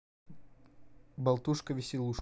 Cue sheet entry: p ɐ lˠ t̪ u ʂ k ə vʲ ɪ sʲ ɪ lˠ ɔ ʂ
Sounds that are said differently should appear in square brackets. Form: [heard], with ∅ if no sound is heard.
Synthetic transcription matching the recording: [b] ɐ lˠ t̪ u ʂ k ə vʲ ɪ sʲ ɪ lˠ [u] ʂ